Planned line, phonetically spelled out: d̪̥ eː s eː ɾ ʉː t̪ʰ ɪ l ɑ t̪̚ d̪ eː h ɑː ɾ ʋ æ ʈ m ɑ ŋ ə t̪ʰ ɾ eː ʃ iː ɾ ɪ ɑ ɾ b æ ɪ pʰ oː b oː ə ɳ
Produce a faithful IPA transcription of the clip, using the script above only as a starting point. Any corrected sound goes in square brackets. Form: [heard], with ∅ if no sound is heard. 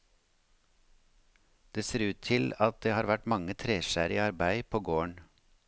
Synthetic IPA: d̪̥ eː s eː ɾ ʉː t̪ʰ ɪ l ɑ t̪̚ d̪ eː h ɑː ɾ ʋ æ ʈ m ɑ ŋ ə t̪ʰ ɾ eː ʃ [æː] ɾ ɪ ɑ ɾ b æ ɪ pʰ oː [ɡ] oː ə ɳ